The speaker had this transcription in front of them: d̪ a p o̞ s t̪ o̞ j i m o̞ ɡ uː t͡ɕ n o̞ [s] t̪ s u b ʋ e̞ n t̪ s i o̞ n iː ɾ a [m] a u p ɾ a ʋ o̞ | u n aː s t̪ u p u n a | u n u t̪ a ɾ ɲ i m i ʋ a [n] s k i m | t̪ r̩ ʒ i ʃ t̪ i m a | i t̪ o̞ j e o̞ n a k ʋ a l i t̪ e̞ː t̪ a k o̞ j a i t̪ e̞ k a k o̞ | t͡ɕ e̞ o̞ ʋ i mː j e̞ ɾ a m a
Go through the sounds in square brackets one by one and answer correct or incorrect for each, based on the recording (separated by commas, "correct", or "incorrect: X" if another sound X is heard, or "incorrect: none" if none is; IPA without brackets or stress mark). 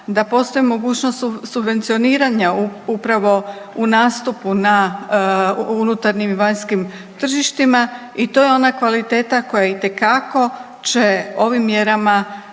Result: correct, incorrect: ɲ, incorrect: ɲ